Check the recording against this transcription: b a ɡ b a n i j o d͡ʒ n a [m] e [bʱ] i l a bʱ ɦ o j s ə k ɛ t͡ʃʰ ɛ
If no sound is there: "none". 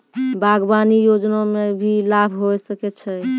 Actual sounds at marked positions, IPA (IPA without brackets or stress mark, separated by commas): m, bʱ